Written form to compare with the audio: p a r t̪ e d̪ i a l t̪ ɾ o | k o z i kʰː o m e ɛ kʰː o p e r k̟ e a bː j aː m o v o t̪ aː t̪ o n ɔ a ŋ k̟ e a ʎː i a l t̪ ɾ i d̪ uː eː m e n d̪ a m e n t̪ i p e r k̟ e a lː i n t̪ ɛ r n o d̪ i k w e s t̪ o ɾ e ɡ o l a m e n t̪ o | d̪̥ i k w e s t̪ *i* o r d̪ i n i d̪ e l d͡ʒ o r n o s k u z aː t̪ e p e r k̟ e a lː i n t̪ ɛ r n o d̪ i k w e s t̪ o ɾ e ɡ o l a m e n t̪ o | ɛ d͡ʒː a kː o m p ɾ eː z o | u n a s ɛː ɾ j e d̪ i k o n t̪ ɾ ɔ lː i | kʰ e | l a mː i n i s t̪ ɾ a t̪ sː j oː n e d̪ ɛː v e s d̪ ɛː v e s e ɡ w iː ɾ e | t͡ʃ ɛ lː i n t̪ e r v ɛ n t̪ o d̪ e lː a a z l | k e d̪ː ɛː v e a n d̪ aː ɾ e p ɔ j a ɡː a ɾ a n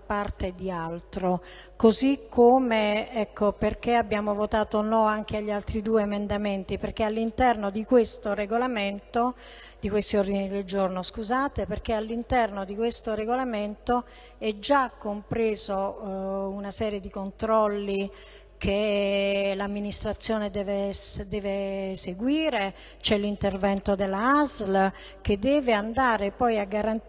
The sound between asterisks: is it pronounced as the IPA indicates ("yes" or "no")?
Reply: yes